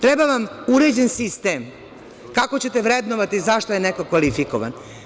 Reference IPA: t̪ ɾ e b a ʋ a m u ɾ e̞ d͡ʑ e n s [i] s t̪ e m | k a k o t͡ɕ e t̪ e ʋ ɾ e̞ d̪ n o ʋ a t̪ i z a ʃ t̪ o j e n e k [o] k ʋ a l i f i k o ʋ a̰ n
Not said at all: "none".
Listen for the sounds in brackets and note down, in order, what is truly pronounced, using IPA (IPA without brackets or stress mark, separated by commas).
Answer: i, o